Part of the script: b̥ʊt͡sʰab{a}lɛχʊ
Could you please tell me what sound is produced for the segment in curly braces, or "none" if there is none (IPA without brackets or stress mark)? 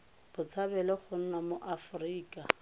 ɛ